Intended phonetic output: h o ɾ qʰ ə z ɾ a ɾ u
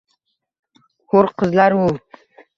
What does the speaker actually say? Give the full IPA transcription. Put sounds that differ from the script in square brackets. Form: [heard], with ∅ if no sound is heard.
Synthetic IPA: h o ɾ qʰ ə z [l] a ɾ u